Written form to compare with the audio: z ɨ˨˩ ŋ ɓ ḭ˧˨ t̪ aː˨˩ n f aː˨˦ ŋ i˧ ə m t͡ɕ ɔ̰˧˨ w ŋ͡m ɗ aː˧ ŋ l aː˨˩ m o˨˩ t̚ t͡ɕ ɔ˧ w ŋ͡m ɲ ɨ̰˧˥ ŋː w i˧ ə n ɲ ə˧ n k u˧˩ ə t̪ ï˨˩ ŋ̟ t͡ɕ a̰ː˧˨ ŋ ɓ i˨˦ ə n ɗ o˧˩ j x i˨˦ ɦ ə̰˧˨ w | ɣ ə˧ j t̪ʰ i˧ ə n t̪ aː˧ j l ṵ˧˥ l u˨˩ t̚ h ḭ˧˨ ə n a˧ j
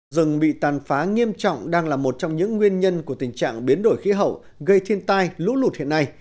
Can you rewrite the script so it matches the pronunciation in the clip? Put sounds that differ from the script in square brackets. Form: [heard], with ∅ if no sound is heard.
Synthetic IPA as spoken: z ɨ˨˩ ŋ ɓ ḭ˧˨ t̪ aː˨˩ n f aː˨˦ ŋ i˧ ə m t͡ɕ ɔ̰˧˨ w ŋ͡m ɗ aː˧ ŋ l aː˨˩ m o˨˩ t̚ t͡ɕ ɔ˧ w ŋ͡m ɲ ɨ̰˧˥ ŋː w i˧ ə n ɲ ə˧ n k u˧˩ ə t̪ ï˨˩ ŋ̟ t͡ɕ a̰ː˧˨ ŋ ɓ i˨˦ ə n ɗ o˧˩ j x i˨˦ ɦ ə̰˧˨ w | ɣ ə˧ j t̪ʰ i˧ ə n t̪ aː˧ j l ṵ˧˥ l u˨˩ t̚ h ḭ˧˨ ə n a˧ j